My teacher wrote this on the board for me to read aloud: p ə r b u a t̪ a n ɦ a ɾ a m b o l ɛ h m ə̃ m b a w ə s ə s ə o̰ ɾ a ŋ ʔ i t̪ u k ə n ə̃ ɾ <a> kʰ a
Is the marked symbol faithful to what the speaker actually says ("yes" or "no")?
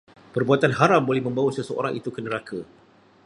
yes